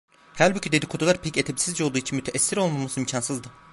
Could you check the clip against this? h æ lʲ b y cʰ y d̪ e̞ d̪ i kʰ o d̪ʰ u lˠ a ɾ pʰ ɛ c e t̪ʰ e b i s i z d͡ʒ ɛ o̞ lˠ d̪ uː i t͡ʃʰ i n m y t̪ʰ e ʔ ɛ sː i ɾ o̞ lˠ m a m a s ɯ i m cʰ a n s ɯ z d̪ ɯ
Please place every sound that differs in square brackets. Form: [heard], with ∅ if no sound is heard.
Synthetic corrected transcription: h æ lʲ b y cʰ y d̪ e̞ d̪ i kʰ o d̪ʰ u lˠ a ɾ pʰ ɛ c e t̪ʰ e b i s i z d͡ʒ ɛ o̞ lˠ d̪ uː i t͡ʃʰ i n m y t̪ʰ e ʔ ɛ sː i ɾ o̞ lˠ m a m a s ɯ i m cʰ a n s ɯ z d̪ ɯ

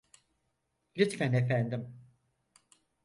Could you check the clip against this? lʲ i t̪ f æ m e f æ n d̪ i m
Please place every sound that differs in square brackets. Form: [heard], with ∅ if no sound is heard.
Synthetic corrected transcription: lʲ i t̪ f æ [n] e f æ n d̪ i m

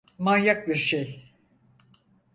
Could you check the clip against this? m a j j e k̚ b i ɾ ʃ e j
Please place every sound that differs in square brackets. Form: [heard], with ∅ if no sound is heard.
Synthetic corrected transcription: m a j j [a] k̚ b i ɾ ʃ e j

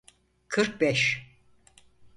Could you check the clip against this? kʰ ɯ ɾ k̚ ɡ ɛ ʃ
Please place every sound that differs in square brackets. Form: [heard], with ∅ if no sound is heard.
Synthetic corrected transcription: kʰ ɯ ɾ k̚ [b] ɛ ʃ

